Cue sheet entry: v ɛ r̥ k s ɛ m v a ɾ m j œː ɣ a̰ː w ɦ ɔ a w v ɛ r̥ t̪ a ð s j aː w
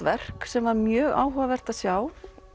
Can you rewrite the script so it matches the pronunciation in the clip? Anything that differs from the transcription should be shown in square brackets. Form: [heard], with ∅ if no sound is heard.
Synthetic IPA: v ɛ r̥ k s ɛ m v a ɾ m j œː ɣ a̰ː w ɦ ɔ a [∅] v ɛ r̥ t̪ a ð s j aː w